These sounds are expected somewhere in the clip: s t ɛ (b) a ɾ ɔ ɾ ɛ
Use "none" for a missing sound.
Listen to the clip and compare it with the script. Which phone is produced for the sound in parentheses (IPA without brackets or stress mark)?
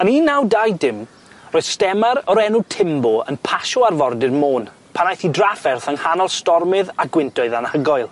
m